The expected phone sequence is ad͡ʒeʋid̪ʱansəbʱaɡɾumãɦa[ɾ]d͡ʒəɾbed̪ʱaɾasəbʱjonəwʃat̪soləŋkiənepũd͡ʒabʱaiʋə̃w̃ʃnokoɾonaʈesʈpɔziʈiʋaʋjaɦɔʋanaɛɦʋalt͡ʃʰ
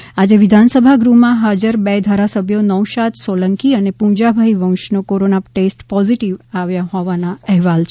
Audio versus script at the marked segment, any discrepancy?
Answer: yes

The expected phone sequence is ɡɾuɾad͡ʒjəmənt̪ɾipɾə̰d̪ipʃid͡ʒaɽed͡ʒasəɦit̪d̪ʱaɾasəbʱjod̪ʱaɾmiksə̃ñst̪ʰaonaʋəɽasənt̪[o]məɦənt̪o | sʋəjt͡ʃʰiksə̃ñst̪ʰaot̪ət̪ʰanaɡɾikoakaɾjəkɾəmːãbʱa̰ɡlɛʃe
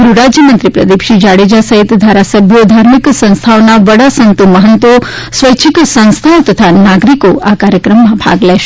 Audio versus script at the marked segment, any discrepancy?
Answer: yes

